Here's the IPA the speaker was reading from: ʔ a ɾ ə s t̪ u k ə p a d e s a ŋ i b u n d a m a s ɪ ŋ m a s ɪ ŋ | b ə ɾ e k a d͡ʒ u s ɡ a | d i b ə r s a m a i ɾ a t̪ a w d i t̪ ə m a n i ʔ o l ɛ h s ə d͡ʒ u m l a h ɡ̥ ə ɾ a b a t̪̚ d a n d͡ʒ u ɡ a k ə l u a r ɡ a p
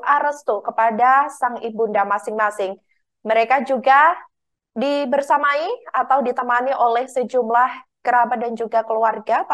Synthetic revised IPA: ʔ a ɾ ə s t̪ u k ə p a d a s a ŋ i b u n d a m a s ɪ ŋ m a s ɪ ŋ | m ə ɾ e k a d͡ʒ u ɡ a | d i b ə r s a m a i a t̪ a w d i t̪ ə m a n i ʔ o l ɛ h s ə d͡ʒ u m l a h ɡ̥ ə ɾ a b a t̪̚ d a n d͡ʒ u ɡ a k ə l u a r ɡ a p